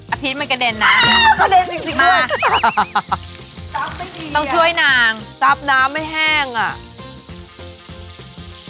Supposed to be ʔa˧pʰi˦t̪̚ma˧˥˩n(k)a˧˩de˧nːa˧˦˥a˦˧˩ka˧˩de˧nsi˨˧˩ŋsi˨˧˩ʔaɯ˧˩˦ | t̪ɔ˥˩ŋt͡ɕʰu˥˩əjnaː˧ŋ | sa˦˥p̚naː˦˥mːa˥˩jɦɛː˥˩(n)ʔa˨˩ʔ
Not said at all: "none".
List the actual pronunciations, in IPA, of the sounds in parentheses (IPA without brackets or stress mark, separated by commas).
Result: k, ŋ